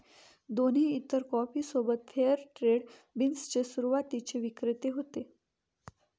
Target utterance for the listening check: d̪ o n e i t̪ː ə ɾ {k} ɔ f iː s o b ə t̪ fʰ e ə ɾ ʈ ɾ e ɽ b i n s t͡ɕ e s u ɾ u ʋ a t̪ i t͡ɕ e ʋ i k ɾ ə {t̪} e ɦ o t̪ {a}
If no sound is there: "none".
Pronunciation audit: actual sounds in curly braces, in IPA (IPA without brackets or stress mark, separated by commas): k, t̪, e